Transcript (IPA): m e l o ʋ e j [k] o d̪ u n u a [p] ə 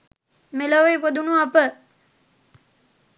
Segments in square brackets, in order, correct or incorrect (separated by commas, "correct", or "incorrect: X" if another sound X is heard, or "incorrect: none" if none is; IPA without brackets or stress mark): incorrect: p, correct